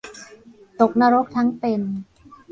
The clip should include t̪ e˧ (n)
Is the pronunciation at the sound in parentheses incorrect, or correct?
correct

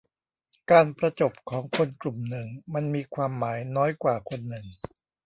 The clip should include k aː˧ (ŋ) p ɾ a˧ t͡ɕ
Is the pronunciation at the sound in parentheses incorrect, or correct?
incorrect: n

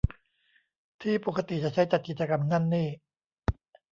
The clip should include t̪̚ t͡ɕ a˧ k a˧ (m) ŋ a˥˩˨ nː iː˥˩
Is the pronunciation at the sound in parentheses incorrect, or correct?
correct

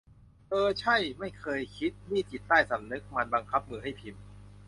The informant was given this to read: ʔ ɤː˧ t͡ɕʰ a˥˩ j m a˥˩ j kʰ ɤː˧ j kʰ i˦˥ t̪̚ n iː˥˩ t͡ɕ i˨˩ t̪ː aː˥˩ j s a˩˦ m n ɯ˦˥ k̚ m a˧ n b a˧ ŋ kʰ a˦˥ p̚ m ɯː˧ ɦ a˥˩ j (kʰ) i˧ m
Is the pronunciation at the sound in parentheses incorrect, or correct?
incorrect: pʰ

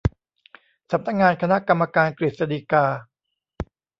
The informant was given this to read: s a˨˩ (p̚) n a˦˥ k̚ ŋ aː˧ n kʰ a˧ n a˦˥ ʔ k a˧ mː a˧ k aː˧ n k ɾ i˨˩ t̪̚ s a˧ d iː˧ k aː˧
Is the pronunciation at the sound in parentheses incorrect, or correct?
correct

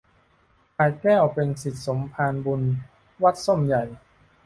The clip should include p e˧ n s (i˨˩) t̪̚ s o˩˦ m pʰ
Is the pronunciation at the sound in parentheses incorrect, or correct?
correct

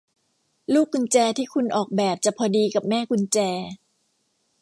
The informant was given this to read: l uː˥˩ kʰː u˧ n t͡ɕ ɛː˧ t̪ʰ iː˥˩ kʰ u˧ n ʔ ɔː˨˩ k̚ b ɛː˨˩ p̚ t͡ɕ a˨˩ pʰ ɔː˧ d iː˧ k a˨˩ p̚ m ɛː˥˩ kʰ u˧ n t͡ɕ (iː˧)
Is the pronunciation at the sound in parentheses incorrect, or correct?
incorrect: ɛː˧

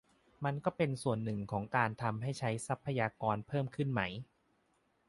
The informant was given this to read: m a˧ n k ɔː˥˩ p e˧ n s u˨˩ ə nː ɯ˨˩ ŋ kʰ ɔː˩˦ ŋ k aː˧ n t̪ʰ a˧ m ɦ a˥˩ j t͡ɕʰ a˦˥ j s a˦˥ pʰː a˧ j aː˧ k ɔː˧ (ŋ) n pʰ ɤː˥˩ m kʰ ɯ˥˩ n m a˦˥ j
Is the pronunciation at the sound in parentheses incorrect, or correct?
incorrect: none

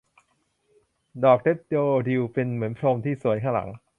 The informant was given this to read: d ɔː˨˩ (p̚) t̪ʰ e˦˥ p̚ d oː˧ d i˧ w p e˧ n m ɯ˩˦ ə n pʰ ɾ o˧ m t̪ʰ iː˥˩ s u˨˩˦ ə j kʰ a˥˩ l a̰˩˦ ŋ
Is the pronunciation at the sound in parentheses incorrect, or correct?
incorrect: k̚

